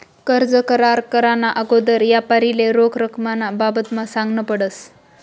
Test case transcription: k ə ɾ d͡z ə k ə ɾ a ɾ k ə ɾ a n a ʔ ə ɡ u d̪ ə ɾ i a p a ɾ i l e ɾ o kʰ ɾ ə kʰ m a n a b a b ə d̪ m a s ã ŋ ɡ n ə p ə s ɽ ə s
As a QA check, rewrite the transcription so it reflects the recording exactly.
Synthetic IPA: k ə ɾ d͡z ə k ə ɾ a ɾ k ə ɾ a n a ʔ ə ɡ o d̪ ə ɾ j a p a ɾ i l e ɾ o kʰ ɾ ə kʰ m a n a b a b ə t̪ m a s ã ŋ ɡ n ə p ə ɽ ə s